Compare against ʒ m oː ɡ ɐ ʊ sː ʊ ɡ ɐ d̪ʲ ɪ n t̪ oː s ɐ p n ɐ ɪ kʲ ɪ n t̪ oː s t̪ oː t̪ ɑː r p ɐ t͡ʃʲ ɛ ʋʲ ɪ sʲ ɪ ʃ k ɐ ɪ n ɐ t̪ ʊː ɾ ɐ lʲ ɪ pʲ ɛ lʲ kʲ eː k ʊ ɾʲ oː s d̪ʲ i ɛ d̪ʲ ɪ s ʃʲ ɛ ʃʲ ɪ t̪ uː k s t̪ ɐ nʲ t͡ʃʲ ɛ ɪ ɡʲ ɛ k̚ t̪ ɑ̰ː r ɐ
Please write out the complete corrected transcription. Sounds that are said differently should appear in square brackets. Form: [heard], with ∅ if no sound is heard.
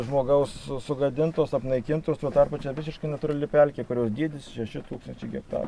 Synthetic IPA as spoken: ʒ m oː ɡ ɐ ʊ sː ʊ ɡ ɐ d̪ʲ ɪ n t̪ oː s ɐ p n ɐ ɪ kʲ ɪ n t̪ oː s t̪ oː t̪ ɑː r p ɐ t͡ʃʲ ɛ ʋʲ ɪ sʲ ɪ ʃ k ɐ ɪ n ɐ t̪ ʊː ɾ ɐ lʲ ɪ pʲ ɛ lʲ kʲ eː k ʊ ɾʲ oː s d̪ʲ i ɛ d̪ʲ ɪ s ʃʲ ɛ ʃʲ ɪ t̪ uː k s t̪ ɐ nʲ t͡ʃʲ ɛ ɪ ɡʲ ɛ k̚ t̪ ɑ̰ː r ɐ